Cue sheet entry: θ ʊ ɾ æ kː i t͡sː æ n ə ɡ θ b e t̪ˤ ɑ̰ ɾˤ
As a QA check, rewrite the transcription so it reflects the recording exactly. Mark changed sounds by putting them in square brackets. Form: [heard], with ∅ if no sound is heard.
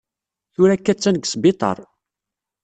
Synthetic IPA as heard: θ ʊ ɾ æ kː [æ] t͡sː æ n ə ɡ [s] b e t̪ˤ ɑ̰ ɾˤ